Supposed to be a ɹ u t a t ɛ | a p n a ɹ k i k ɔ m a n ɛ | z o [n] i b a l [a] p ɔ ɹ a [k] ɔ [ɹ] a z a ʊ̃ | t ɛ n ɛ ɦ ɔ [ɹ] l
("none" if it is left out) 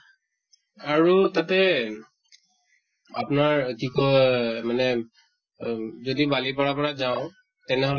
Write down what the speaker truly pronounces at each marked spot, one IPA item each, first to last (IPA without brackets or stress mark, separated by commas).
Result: d, i, p, ɹ, none